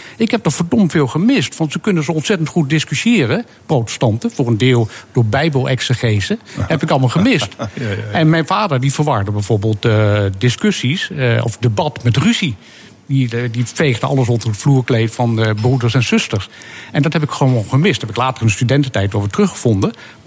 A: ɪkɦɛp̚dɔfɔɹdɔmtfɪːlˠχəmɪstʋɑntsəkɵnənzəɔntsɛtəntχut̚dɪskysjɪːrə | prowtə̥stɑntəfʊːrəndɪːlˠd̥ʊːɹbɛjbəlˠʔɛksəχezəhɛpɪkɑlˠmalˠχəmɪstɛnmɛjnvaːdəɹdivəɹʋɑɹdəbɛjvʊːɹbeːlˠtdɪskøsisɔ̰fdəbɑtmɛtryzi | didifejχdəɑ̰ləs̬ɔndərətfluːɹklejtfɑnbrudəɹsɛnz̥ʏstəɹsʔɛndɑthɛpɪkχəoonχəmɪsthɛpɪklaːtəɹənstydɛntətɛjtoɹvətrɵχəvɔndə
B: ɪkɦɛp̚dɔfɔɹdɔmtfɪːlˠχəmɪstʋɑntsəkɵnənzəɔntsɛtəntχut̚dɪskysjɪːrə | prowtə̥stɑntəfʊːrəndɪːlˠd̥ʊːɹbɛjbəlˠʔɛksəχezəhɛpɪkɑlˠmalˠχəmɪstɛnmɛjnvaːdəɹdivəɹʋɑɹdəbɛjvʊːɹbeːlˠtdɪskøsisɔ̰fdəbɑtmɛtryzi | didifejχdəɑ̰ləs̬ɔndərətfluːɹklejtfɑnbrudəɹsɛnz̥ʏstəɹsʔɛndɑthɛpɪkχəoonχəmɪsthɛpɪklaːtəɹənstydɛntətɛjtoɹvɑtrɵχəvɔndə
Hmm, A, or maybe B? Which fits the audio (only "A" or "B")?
A